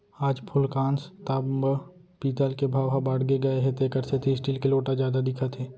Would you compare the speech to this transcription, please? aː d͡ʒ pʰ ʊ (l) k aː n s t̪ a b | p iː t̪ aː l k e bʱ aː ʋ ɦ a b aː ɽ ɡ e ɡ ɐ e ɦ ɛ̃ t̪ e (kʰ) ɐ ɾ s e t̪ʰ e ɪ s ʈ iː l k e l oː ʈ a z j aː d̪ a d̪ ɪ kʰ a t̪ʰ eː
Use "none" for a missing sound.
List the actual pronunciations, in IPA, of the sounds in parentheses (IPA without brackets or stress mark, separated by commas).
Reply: l, k